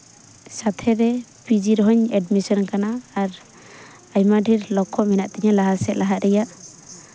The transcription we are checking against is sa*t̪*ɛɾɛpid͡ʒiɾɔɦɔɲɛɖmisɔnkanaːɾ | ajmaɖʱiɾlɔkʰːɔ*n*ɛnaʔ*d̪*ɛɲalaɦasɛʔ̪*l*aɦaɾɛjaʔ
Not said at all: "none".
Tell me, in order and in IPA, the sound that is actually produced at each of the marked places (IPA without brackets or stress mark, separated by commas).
t̪ʰ, m, t̪, l